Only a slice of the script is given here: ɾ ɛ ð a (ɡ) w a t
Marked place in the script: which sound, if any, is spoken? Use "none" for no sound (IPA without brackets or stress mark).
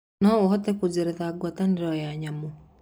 ɡ